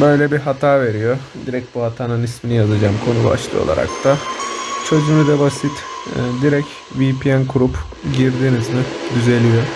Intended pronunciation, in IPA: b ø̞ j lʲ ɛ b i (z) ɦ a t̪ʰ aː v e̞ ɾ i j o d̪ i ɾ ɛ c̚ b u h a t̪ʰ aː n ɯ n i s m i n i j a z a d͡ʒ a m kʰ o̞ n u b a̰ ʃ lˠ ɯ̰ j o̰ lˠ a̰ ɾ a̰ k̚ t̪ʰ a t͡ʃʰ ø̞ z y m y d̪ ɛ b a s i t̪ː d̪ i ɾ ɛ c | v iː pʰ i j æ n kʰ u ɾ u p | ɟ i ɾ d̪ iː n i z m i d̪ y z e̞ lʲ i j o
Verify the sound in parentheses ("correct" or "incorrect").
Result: incorrect